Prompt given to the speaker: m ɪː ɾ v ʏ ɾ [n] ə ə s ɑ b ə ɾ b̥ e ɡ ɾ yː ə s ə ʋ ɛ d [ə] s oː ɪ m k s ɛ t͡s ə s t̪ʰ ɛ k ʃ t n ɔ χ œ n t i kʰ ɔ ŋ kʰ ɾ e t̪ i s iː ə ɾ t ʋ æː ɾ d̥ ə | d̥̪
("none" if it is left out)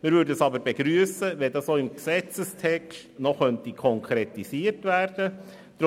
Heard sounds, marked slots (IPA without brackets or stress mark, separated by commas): d, ɑ